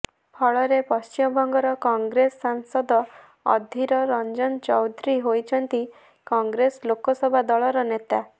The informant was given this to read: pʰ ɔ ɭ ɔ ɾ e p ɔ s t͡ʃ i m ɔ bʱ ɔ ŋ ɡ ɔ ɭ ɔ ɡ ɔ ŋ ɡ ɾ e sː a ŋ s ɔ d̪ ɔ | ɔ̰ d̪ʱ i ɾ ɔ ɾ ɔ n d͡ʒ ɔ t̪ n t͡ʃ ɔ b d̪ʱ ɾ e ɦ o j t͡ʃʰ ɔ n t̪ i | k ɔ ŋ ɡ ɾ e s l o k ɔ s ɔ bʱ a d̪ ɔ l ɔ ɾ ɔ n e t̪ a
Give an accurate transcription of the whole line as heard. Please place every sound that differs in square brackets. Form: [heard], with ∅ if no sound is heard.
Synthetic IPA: pʰ ɔ ɭ ɔ ɾ e p ɔ s t͡ʃ i m ɔ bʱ ɔ ŋ ɡ ɔ [ɾ] ɔ [k] ɔ ŋ ɡ ɾ e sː a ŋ s ɔ d̪ ɔ | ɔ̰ d̪ʱ i ɾ ɔ ɾ ɔ n d͡ʒ ɔ [∅] n t͡ʃ ɔ [w] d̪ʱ ɾ [i] ɦ o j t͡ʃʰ ɔ n t̪ i | k ɔ ŋ ɡ ɾ e s l o k ɔ s ɔ bʱ a d̪ ɔ [ɭ] ɔ ɾ ɔ n e t̪ a